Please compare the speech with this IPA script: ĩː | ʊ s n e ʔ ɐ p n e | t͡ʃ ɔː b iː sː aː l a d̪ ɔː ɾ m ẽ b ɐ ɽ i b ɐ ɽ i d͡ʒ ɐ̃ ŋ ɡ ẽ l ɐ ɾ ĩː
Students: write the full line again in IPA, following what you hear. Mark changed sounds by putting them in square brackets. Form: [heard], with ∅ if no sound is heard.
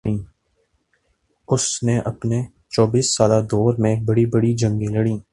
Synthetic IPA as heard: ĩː | ʊ s n e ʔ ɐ p n e | t͡ʃ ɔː b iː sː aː l a d̪ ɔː ɾ m ẽ b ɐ ɽ i b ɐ ɽ i d͡ʒ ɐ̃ ŋ ɡ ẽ l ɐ [ɽ] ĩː